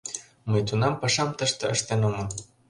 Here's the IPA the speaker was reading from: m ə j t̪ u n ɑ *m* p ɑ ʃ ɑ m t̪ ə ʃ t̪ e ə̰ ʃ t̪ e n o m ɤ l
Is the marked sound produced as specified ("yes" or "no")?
yes